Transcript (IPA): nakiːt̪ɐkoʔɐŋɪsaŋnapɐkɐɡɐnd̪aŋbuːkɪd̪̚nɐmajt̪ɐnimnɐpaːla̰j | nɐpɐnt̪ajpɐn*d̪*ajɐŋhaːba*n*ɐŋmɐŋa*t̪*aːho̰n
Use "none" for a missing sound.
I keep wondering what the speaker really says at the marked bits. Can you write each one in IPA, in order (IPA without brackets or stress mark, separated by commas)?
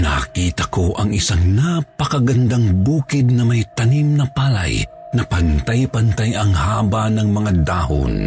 t̪, n, d̪